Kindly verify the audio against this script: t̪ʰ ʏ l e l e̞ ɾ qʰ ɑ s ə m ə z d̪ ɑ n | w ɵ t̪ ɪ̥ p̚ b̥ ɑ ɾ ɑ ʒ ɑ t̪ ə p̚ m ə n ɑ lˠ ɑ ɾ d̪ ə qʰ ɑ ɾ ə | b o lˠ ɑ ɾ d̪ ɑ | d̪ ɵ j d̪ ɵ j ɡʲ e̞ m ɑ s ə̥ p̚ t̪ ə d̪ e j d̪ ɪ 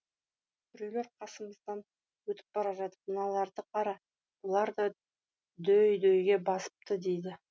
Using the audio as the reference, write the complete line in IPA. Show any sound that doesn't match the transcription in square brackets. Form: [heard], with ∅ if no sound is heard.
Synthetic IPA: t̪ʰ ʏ [ɾ] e l e̞ ɾ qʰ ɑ s ə m ə z d̪ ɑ n | w ɵ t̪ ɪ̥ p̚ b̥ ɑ ɾ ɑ ʒ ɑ t̪ ə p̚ m ə n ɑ lˠ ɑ ɾ d̪ ə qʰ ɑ ɾ [ɑ] | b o lˠ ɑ ɾ d̪ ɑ | d̪ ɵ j d̪ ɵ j ɡʲ e̞ [b] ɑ s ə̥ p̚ t̪ ə d̪ e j d̪ ɪ

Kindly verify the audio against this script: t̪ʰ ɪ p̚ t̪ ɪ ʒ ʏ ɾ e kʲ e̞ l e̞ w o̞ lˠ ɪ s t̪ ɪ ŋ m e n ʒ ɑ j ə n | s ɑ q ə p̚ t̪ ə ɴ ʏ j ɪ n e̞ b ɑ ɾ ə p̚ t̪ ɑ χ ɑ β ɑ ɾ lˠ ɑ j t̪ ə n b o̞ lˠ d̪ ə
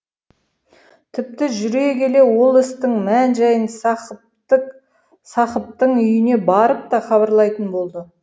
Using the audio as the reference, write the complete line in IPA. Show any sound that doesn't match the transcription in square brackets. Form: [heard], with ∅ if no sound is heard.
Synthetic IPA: t̪ʰ ɪ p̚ t̪ ɪ ʒ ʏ ɾ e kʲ e̞ l e̞ w o̞ lˠ ɪ s t̪ ɪ ŋ m [æ] n ʒ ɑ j ə n | s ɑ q ə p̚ t̪ ə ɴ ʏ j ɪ n e̞ b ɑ ɾ ə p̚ t̪ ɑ χ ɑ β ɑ ɾ lˠ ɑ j t̪ ə n b o̞ lˠ d̪ ə

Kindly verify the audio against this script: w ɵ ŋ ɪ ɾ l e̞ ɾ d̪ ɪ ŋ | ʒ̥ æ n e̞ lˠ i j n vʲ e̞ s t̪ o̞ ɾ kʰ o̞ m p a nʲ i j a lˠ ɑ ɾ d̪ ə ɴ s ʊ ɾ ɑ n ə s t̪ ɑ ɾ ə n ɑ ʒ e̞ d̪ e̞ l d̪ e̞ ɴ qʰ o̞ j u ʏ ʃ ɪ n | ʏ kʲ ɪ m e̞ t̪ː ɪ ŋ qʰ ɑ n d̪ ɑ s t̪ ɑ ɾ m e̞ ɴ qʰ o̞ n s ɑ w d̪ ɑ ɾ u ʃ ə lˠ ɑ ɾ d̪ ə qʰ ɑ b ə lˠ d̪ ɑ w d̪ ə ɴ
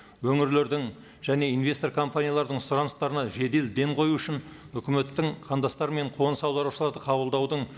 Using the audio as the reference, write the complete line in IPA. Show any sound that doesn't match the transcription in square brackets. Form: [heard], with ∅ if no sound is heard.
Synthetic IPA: w ɵ ŋ ɪ ɾ l e̞ ɾ d̪ ɪ ŋ | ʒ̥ æ n e̞ [∅] i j n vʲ e̞ s t̪ o̞ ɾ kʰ o̞ m p a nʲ i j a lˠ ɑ ɾ d̪ ə ɴ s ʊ ɾ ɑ n ə s t̪ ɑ ɾ ə n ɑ ʒ e̞ d̪ e̞ l d̪ e̞ ɴ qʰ o̞ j u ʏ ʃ ɪ n | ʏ kʲ ɪ m e̞ t̪ː ɪ ŋ qʰ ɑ n d̪ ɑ s t̪ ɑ ɾ m e̞ ɴ qʰ o̞ n s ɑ w d̪ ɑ ɾ u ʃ ə lˠ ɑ ɾ d̪ ə qʰ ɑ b ə lˠ d̪ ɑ w d̪ ə ɴ

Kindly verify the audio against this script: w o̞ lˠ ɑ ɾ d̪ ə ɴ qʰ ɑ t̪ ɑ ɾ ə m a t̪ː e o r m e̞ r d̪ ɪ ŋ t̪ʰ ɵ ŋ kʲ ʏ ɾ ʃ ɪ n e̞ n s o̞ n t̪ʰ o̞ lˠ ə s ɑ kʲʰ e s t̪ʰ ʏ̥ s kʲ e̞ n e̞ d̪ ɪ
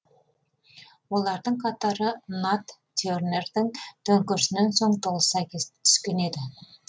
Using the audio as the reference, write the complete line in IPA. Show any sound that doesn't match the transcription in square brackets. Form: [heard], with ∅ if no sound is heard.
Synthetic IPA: w o̞ lˠ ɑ ɾ d̪ ə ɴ qʰ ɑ t̪ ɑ ɾ ə [n] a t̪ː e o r [n] e̞ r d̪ ɪ ŋ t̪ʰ ɵ ŋ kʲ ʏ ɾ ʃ ɪ n e̞ n s o̞ [ɴ] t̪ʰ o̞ lˠ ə s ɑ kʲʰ e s t̪ʰ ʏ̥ s kʲ e̞ n e̞ d̪ ɪ

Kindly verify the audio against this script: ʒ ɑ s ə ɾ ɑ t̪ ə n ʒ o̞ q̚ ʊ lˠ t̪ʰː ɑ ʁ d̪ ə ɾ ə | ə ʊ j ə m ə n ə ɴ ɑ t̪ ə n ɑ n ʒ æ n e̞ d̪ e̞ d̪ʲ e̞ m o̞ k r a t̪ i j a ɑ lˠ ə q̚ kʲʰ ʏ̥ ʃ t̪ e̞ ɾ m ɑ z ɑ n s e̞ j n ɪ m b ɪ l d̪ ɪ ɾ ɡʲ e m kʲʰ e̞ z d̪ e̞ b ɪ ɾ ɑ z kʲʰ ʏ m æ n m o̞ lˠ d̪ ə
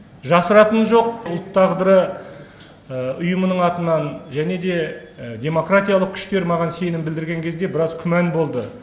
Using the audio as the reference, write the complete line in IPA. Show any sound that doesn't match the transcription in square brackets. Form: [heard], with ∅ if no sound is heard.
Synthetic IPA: ʒ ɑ s ə ɾ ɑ t̪ ə n ʒ o̞ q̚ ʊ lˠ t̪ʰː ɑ ʁ d̪ ə ɾ ə | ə ʊ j ə m ə n ə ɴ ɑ t̪ ə n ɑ n ʒ æ n e̞ d̪ e̞ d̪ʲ e̞ m o̞ k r a t̪ i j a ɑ lˠ ə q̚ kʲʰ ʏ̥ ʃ t̪ e̞ ɾ m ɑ [ʁ] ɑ n s e̞ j n ɪ m b ɪ l d̪ ɪ ɾ ɡʲ e [ŋ] kʲʰ e̞ z d̪ e̞ b ɪ ɾ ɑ z kʲʰ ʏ m æ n [b] o̞ lˠ d̪ ə

